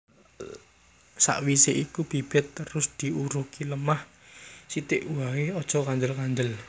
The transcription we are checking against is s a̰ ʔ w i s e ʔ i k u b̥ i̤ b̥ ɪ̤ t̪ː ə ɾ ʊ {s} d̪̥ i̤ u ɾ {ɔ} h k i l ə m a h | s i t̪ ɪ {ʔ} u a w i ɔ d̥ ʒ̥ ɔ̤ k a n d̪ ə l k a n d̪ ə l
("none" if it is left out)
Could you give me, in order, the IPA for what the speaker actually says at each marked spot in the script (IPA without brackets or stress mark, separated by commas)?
s, u, ʔ